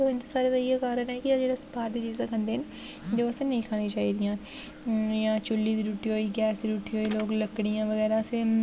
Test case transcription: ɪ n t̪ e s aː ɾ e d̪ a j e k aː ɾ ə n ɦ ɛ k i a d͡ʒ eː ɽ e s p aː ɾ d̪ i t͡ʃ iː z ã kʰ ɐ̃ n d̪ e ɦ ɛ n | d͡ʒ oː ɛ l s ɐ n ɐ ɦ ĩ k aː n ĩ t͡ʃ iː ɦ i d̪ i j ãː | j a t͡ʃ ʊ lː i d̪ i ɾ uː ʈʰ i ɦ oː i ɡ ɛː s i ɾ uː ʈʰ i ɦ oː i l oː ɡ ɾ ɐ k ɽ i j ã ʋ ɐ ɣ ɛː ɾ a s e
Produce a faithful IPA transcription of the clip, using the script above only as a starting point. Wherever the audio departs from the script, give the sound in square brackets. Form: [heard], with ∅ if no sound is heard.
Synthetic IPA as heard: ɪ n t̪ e s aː ɾ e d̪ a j e k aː ɾ ə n ɦ ɛ k i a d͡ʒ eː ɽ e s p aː ɾ d̪ i t͡ʃ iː z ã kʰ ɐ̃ n d̪ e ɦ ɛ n | d͡ʒ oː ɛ [∅] s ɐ n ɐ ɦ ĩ [kʰ] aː n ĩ t͡ʃ [aː] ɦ i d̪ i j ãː | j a t͡ʃ ʊ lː i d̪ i ɾ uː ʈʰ i ɦ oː i ɡ ɛː s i ɾ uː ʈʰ i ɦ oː i l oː ɡ [l] ɐ k ɽ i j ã ʋ ɐ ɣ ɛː ɾ a s e

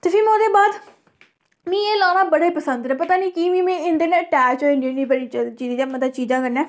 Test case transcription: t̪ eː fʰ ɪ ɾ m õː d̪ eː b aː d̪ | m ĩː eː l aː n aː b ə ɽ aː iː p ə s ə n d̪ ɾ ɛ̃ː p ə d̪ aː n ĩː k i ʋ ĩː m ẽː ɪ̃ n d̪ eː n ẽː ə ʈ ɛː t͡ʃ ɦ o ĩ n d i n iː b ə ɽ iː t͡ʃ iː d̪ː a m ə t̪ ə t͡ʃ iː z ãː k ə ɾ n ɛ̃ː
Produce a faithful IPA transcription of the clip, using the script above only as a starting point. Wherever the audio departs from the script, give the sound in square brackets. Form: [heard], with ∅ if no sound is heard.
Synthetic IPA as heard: t̪ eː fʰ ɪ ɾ m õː d̪ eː b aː d̪ | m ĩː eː l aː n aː b ə ɽ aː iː p ə s ə n d̪ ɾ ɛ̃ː p ə [t̪] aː n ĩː k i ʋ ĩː m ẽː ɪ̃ n d̪ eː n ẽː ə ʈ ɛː t͡ʃ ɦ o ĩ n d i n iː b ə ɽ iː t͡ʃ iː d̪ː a m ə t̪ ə t͡ʃ iː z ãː k ə ɾ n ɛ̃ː

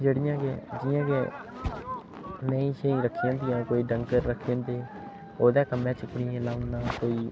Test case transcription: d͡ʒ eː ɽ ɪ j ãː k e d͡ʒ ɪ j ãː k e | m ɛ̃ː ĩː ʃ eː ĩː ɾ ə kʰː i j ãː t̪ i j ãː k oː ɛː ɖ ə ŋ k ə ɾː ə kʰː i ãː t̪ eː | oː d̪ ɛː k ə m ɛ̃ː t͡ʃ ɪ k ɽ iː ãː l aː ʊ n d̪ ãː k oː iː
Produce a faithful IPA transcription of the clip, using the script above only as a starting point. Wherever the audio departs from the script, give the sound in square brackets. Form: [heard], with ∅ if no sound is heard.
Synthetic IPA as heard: d͡ʒ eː ɽ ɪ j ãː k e d͡ʒ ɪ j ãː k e | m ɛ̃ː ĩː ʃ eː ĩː ɾ ə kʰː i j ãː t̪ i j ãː k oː [iː] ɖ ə ŋ k ə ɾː ə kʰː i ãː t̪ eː | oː d̪ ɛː k ə m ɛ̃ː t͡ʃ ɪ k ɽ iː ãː l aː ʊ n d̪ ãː k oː iː

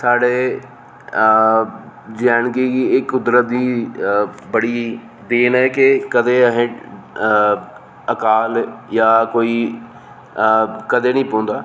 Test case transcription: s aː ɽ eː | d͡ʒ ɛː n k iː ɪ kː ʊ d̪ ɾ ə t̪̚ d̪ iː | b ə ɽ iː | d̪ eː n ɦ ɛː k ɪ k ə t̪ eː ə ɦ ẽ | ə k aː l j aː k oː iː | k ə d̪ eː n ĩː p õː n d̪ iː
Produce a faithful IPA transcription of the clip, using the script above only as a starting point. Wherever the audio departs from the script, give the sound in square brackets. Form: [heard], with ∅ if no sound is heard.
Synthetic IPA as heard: s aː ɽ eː | d͡ʒ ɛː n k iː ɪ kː ʊ d̪ ɾ ə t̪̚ d̪ iː | b ə ɽ iː | d̪ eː n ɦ ɛː k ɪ k ə [d̪] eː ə ɦ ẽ | ə k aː l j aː k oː iː | k ə d̪ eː n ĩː p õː n d̪ [aː]

